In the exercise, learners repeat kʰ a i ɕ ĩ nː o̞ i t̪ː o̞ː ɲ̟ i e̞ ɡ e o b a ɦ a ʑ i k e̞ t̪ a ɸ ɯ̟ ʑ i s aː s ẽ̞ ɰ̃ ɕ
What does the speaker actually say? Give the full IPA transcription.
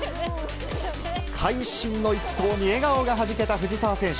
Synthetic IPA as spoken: kʰ a i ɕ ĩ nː o̞ i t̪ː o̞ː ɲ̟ i e̞ ɡ a o ɡ a ɦ a ʑ i k e̞ t̪ a ɸ ɯ̟ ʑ i s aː s ẽ̞ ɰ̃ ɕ